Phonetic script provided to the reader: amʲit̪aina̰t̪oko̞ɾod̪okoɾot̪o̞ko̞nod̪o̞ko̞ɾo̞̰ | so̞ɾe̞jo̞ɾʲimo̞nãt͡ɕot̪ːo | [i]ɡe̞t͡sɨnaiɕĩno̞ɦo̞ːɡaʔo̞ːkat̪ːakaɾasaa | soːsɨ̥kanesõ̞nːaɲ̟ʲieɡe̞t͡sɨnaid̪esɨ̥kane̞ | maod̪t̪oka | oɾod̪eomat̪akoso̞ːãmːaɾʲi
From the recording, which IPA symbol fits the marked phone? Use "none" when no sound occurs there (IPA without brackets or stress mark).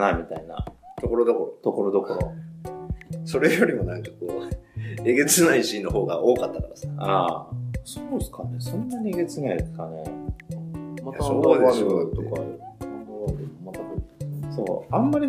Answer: e